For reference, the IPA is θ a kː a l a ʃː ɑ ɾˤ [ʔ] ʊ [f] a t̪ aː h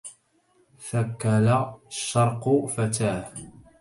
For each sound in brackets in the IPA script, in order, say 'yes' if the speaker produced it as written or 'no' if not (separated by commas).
no, yes